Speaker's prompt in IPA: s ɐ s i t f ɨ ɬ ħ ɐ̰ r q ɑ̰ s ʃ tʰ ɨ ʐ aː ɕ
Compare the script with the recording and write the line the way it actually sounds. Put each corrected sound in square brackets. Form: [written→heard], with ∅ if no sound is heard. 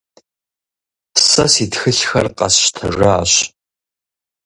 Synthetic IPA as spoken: s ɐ s i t [f→x] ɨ ɬ [ħ→x] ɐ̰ r q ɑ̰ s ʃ tʰ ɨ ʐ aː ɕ